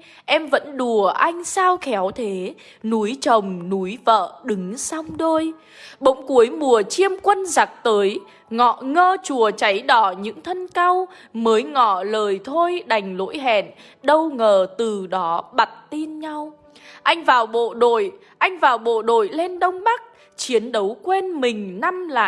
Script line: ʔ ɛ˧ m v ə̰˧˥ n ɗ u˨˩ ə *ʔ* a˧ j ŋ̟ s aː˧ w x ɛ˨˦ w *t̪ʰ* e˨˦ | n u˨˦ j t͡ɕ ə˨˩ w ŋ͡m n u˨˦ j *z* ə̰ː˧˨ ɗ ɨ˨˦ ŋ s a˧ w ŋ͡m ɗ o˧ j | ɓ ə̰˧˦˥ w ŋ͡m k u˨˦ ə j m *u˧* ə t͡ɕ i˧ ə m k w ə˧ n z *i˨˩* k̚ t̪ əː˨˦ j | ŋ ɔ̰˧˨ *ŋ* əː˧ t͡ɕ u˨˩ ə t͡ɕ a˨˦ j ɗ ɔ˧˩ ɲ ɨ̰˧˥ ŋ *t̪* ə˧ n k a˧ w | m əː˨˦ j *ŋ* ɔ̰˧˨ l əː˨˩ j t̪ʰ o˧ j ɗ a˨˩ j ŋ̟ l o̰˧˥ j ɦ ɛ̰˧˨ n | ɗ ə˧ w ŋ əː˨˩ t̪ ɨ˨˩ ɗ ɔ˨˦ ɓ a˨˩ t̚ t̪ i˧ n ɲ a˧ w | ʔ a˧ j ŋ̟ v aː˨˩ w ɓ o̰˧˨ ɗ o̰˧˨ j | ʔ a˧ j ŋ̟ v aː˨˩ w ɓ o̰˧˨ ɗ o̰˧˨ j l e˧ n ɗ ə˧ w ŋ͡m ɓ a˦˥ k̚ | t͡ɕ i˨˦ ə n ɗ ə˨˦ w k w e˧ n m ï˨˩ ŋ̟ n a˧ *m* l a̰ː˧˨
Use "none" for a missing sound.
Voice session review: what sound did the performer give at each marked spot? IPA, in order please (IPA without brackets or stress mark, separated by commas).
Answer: ʔ, t̪ʰ, v, u˨˩, a˨˩, ŋ, t̪ʰ, ŋ, m